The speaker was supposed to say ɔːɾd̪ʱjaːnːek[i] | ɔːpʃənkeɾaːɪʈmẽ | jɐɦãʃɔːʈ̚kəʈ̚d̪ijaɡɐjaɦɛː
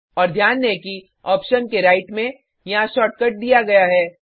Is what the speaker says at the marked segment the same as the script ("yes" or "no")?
yes